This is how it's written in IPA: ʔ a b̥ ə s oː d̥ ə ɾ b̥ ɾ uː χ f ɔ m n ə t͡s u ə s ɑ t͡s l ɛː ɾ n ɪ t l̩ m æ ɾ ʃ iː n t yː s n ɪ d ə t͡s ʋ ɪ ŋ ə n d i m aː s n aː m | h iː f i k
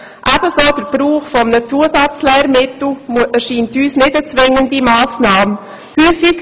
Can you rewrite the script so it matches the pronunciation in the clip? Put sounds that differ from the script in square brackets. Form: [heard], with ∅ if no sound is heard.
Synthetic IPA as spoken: ʔ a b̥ ə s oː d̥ ə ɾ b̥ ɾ uː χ f ɔ m n ə t͡s u ə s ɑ t͡s l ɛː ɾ [m] ɪ t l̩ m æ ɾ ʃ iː n t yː s n ɪ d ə t͡s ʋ ɪ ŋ ə n d i m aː s n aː m | h [yː] f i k